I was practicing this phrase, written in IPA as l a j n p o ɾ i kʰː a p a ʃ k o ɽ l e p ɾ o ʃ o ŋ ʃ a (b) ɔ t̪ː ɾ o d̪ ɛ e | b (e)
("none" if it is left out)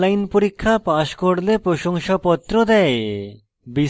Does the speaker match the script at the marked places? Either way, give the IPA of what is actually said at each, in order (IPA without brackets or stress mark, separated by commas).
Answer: p, i